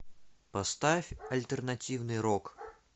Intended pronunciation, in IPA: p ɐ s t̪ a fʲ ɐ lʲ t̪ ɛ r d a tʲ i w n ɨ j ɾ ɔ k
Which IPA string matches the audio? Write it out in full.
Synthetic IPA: p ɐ s t̪ a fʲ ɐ lʲ t̪ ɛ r n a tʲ i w n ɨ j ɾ ɔ k